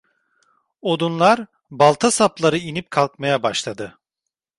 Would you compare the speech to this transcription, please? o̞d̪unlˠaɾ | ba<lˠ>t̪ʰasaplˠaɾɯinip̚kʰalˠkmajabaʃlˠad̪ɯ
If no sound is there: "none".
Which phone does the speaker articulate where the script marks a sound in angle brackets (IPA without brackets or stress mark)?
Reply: lˠ